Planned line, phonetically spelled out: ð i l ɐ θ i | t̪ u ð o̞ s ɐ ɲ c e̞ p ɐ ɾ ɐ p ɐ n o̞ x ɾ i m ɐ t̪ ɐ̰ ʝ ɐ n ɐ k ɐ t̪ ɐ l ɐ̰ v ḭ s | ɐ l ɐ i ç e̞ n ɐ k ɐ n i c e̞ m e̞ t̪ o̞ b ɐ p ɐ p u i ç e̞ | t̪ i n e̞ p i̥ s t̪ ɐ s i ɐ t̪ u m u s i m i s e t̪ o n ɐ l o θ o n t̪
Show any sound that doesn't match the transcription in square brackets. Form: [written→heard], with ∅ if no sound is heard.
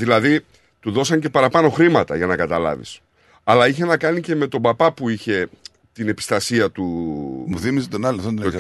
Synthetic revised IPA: ð i l ɐ [θ→ð] i | t̪ u ð o̞ s ɐ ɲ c e̞ p ɐ ɾ ɐ p ɐ n o̞ x ɾ i m ɐ t̪ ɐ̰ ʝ ɐ n ɐ k ɐ t̪ ɐ l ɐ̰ v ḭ s | ɐ l ɐ i ç e̞ n ɐ k ɐ n i c e̞ m e̞ t̪ o̞ b ɐ p ɐ p u i ç e̞ | t̪ i n e̞ p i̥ s t̪ ɐ s i ɐ t̪ u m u [s→θ] i m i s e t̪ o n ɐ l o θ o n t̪